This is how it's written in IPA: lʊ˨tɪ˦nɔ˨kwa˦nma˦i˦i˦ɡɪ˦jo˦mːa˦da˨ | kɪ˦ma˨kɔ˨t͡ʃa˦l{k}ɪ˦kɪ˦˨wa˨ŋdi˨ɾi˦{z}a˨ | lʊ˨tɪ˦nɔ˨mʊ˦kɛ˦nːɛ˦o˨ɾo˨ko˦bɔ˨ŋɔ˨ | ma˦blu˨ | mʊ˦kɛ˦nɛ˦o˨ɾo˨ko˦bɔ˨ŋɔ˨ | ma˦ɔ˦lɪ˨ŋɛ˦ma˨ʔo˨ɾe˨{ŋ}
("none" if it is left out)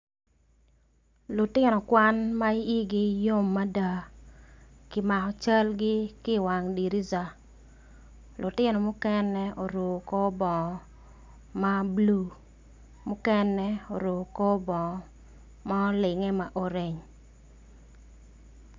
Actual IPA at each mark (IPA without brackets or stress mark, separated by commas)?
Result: ɡ, z, ɲ